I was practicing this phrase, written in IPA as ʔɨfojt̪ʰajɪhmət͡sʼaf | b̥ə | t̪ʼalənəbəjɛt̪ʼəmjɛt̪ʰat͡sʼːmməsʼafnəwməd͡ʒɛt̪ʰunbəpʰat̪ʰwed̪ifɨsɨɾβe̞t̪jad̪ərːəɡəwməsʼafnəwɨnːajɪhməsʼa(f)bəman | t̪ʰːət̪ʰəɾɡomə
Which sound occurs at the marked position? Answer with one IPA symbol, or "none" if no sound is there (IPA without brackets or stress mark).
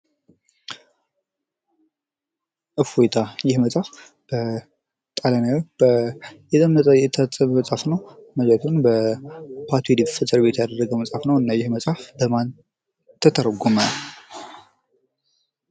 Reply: f